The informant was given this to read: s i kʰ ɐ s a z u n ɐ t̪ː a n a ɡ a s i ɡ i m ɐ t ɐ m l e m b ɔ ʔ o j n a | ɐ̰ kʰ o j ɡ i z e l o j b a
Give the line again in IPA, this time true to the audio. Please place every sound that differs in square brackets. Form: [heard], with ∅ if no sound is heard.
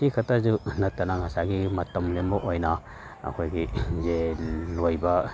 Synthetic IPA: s i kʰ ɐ [t] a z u n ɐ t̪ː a n a [ŋ] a s [a] ɡ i m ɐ t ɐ m l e m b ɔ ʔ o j n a | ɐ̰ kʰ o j ɡ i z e l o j b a